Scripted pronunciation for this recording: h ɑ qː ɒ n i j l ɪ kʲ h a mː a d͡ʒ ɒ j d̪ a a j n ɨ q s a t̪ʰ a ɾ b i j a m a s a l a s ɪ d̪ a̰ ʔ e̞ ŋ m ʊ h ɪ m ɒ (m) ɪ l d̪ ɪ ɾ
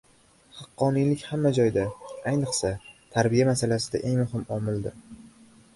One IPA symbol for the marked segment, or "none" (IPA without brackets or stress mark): m